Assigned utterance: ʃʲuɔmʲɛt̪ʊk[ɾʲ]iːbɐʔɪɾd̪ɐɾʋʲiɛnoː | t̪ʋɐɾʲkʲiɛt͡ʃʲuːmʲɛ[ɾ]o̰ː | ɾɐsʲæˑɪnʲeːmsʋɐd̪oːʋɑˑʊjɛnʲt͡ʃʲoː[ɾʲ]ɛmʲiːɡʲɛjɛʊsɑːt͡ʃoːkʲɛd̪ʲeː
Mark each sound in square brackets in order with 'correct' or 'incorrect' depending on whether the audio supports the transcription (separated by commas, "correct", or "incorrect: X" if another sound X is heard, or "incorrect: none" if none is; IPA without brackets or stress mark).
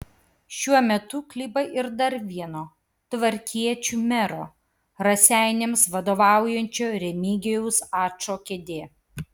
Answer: incorrect: lʲ, correct, correct